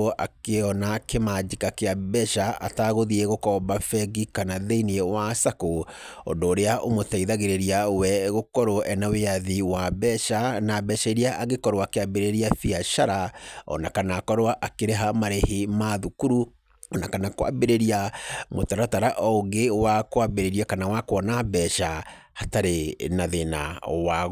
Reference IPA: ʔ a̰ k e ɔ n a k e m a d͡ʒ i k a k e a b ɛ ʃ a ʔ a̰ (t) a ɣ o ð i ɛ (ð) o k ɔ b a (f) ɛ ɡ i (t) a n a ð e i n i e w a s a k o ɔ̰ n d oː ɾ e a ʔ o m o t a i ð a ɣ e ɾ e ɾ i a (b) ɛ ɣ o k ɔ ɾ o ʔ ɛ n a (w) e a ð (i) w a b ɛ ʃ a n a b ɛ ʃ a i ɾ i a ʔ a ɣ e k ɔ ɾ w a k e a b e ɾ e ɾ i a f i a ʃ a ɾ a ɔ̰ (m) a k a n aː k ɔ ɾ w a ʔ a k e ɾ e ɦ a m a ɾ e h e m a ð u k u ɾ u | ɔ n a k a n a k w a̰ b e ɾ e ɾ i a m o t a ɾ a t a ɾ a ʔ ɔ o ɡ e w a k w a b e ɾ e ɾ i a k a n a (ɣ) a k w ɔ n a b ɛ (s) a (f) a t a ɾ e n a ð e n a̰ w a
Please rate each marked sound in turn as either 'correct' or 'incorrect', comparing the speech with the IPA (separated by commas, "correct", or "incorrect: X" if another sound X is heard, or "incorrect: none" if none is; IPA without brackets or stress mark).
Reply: correct, incorrect: ɣ, correct, incorrect: k, incorrect: w, correct, correct, incorrect: n, incorrect: w, incorrect: ʃ, incorrect: h